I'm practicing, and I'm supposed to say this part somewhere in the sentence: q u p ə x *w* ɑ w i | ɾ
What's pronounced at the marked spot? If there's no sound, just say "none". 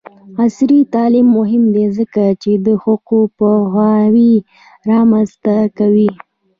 w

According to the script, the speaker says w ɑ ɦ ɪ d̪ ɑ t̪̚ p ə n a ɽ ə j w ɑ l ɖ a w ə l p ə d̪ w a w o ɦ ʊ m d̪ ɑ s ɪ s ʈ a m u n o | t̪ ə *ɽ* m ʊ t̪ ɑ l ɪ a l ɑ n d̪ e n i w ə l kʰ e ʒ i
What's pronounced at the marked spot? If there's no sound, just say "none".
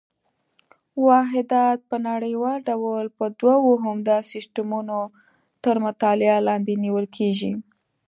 ɾ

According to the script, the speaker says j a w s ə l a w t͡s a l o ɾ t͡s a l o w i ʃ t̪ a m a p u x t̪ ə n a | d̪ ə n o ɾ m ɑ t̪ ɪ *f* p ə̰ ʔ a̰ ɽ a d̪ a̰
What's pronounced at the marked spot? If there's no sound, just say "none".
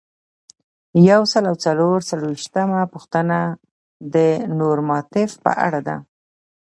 f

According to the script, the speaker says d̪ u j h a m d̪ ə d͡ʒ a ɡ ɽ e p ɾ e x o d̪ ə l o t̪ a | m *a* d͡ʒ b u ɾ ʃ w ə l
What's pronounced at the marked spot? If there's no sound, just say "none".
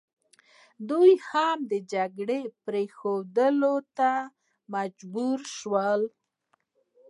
a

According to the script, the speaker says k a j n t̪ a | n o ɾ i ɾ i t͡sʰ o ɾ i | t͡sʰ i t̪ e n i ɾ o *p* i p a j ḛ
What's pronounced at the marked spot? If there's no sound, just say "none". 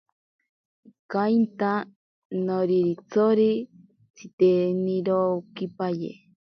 k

